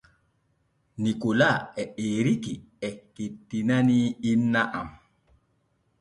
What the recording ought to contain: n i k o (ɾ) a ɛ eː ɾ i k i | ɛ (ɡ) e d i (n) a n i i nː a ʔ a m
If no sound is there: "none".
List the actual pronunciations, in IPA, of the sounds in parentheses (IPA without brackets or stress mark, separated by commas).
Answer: l, k, n